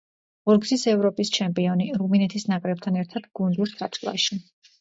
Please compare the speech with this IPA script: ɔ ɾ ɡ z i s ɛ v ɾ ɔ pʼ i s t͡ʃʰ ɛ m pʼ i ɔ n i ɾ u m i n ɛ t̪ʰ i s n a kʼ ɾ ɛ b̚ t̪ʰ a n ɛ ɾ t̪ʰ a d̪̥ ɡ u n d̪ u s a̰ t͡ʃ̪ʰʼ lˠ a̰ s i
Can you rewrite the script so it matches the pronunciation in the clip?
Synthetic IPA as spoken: ɔ ɾ ɡ z i s ɛ v ɾ ɔ pʼ i s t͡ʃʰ ɛ m pʼ i ɔ n i ɾ u m i n ɛ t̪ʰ i s n a kʼ ɾ ɛ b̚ t̪ʰ a n ɛ ɾ t̪ʰ a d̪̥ ɡ u n d̪ u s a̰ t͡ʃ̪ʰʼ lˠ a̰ ʃ i